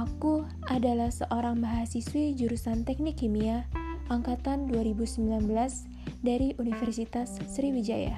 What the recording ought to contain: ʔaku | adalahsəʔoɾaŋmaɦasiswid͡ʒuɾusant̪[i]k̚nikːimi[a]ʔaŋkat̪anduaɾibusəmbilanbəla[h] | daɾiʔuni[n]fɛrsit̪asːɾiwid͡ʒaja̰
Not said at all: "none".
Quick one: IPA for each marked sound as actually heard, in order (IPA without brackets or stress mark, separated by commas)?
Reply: ɛ, a, s, none